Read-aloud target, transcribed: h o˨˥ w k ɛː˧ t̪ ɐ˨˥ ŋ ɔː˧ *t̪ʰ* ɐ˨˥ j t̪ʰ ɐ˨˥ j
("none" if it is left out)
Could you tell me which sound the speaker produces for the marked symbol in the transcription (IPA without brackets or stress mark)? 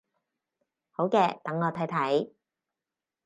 t̪ʰ